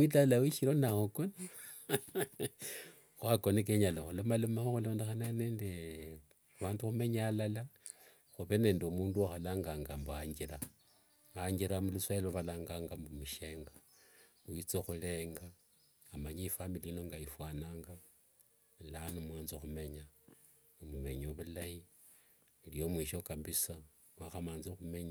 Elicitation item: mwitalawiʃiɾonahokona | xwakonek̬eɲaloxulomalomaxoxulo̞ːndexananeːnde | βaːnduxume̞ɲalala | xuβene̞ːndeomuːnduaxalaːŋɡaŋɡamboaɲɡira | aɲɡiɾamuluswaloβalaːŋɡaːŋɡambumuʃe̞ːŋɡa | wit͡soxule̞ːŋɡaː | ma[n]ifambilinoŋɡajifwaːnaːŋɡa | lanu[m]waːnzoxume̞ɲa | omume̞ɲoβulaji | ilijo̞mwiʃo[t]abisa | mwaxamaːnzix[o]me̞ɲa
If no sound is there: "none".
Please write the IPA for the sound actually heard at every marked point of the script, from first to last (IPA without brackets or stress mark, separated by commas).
ɲ, m, k, u